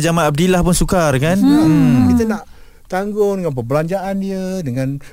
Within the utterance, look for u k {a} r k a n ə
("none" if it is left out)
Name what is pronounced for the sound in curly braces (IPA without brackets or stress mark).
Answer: a